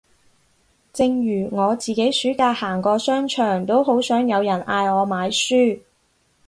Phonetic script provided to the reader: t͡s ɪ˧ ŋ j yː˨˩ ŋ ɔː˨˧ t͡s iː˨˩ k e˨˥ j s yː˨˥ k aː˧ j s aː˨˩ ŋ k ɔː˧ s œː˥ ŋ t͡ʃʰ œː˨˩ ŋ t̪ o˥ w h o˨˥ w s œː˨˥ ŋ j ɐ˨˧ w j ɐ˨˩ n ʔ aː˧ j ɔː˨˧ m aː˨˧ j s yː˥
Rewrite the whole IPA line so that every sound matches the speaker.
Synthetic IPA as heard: t͡s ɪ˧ ŋ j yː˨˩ ŋ ɔː˨˧ t͡s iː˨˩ k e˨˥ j s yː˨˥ k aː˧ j h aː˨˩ ŋ k ɔː˧ s œː˥ ŋ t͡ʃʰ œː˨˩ ŋ t̪ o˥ w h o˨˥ w s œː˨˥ ŋ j ɐ˨˧ w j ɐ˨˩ n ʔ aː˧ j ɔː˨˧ m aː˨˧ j s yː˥